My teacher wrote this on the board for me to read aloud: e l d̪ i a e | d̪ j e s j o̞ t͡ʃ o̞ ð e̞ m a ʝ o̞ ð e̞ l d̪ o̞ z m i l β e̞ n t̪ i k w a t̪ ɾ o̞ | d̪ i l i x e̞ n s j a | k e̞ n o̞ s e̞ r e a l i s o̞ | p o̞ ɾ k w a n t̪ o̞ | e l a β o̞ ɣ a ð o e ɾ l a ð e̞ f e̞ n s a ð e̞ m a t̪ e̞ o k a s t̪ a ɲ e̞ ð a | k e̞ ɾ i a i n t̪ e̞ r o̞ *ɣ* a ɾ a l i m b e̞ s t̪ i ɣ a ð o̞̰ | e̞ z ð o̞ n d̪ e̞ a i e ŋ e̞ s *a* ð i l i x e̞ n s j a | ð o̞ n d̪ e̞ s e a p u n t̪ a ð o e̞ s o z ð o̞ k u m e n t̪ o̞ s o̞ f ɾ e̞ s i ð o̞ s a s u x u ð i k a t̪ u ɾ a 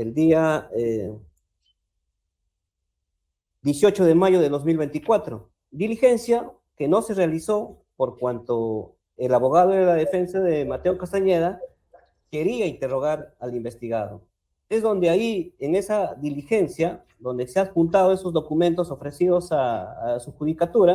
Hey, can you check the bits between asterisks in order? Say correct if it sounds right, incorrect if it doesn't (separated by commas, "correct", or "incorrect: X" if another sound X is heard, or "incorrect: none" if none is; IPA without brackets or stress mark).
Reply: correct, correct